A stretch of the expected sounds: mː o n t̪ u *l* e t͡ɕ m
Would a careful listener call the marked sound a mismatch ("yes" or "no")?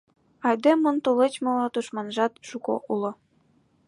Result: no